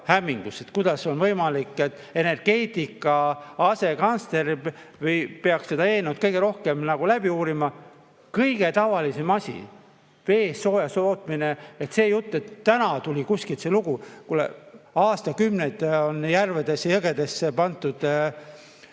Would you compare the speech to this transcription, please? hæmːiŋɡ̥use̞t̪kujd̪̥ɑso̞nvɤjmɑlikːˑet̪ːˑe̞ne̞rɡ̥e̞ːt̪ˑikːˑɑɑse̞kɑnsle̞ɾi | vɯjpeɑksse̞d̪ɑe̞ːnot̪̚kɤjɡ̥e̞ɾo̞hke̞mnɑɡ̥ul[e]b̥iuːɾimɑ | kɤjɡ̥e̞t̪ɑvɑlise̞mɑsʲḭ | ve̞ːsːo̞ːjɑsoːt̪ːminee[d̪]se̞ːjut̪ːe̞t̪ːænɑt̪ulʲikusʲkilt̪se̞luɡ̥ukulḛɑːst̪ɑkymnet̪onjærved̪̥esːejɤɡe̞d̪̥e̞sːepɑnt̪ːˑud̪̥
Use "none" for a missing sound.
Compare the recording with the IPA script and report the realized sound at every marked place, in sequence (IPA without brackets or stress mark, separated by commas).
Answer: æ, t̪